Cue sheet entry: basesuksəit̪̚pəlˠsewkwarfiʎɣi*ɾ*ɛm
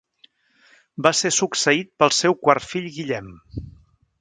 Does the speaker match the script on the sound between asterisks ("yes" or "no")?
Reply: no